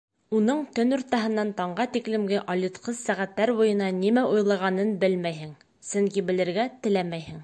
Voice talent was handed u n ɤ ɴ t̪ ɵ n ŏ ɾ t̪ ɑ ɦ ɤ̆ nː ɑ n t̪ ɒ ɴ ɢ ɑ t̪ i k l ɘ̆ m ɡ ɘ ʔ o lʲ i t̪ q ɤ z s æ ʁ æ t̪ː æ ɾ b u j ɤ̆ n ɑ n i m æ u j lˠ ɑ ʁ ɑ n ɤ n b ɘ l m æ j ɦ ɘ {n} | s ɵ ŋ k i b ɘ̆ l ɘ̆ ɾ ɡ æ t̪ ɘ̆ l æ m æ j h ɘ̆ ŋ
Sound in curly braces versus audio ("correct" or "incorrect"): incorrect